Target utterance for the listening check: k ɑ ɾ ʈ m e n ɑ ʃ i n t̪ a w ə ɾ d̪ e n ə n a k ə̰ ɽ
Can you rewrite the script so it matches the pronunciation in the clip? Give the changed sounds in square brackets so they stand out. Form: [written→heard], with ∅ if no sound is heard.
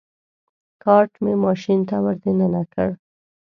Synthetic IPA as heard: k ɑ ɾ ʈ m e [n→m] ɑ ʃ i n t̪ a w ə ɾ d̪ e n ə n a k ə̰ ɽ